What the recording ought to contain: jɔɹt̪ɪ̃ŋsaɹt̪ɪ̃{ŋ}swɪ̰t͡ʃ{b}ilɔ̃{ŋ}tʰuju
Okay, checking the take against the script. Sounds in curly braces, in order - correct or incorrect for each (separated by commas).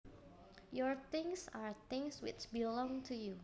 correct, correct, correct